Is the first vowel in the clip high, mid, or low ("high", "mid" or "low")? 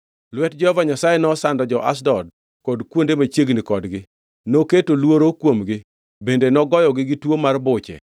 mid